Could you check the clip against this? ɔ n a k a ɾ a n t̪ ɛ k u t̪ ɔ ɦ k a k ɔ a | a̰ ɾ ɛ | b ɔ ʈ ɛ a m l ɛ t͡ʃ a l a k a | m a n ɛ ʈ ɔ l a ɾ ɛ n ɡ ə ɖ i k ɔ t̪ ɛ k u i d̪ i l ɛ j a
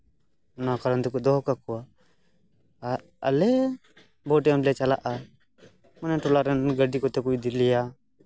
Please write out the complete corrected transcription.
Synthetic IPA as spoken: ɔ n a k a ɾ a n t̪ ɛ k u d̪ ɔ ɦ k a k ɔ a | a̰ l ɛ | b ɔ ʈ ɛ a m l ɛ t͡ʃ a l a ʔ a | m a n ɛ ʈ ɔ l a ɾ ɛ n ɡ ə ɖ i k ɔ t̪ ɛ k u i d̪ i l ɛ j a